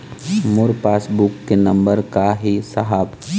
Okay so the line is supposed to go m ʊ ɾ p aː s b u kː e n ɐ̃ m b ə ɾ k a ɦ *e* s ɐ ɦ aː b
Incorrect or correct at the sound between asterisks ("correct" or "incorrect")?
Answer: incorrect